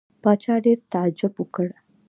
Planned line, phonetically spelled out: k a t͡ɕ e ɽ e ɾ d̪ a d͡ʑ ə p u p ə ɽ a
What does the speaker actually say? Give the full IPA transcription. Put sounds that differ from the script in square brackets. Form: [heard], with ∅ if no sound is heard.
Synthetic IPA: [p] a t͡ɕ [a] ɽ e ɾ [t̪] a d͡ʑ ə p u [k] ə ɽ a